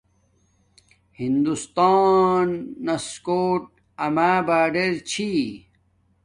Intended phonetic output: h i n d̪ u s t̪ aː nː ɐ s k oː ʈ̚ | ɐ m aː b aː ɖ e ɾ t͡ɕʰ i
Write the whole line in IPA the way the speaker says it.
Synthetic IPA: h i n d̪ u s t̪ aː nː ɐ s k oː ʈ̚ | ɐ m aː b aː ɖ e ɾ t͡ɕʰ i